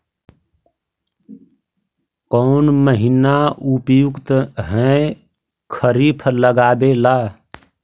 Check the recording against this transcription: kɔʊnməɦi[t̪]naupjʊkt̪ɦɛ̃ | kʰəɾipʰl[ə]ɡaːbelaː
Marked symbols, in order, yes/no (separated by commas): no, yes